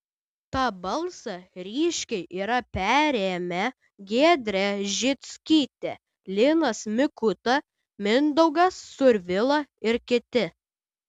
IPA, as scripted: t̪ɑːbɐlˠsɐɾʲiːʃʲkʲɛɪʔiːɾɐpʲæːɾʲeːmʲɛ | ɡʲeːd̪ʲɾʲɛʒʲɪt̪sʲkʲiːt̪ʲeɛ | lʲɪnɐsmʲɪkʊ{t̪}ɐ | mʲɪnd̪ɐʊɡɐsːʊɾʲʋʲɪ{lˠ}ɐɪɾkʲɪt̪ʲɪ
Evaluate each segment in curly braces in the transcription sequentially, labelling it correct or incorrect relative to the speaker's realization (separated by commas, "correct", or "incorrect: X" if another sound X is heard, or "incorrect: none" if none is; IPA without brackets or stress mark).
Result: correct, correct